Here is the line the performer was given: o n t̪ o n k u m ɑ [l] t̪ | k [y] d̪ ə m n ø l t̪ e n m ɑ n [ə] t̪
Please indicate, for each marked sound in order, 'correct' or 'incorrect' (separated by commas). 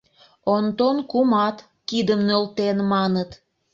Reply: incorrect, incorrect, correct